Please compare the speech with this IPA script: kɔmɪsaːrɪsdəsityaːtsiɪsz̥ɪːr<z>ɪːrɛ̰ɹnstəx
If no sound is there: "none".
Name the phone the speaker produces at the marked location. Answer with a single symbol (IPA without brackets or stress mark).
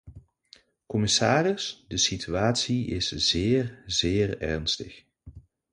z